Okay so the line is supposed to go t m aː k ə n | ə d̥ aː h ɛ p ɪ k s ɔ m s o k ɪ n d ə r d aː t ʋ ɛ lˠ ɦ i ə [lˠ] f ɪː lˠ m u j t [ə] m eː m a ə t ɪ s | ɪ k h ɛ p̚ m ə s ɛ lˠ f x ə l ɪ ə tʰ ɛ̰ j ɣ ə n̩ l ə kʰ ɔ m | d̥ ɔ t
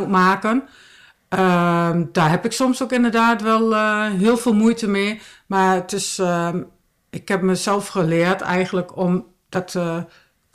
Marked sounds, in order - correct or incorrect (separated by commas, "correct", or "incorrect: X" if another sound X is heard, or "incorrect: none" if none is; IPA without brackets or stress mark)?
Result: correct, correct